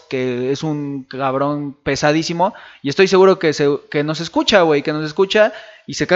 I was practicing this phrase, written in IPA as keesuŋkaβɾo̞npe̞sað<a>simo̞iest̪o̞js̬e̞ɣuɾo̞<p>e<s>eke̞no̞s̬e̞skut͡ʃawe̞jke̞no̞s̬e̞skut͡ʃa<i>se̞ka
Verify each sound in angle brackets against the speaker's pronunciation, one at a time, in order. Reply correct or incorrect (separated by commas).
incorrect, incorrect, correct, correct